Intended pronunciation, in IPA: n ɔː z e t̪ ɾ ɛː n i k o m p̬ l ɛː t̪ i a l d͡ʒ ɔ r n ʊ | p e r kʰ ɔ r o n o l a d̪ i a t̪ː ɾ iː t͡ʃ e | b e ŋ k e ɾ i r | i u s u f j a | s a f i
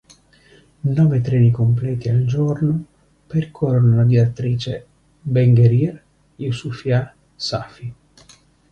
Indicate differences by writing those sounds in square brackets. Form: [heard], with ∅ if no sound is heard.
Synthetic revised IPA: n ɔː [v] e t̪ ɾ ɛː n i k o m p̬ l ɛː t̪ i a l d͡ʒ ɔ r n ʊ | p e r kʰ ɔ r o n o l a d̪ i a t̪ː ɾ iː t͡ʃ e | b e ŋ [ɡ] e ɾ i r | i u s u f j a | s a f i